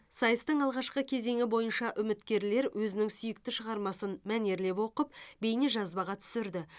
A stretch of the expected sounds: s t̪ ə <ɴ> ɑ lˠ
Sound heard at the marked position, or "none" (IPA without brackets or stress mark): ɴ